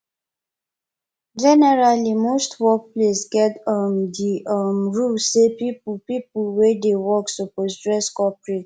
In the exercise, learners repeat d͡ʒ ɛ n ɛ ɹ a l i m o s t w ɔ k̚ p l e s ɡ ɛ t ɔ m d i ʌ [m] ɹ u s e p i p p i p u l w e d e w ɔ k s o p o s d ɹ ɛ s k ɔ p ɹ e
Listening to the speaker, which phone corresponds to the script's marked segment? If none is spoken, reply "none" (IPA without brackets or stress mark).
m